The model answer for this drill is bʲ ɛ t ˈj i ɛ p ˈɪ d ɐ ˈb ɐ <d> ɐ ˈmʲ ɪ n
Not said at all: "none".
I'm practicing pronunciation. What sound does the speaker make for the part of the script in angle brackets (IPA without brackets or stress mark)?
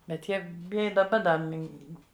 d